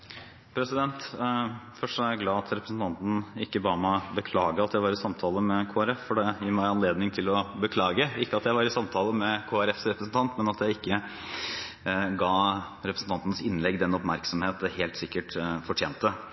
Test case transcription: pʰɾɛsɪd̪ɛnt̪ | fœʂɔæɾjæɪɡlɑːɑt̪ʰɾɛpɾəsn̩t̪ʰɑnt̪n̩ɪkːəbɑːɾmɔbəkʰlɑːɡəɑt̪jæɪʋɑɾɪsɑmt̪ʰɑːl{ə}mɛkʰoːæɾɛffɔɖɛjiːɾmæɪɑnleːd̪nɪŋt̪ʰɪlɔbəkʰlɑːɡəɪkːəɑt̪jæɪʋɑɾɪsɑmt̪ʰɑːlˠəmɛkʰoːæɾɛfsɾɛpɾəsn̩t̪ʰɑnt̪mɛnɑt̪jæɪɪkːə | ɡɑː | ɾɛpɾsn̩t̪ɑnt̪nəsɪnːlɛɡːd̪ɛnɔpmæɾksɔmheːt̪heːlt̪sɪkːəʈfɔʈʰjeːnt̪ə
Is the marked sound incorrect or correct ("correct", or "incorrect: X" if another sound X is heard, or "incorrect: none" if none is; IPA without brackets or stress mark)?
correct